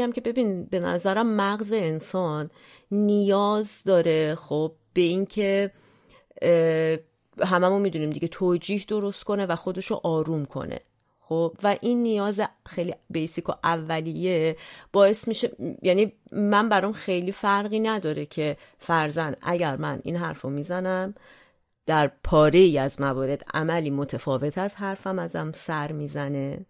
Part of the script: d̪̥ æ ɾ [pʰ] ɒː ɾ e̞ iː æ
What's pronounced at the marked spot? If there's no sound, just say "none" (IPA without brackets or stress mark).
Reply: pʰ